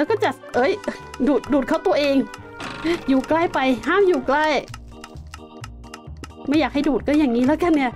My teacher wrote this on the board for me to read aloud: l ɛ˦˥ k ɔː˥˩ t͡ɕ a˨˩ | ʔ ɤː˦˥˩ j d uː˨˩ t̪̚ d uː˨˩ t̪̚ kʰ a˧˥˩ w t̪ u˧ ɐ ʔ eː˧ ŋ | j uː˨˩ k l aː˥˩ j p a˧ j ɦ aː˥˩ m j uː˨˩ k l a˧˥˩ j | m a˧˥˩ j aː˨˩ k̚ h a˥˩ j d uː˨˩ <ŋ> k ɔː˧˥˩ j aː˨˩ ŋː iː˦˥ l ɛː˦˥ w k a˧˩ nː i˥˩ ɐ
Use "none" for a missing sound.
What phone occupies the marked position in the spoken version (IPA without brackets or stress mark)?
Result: none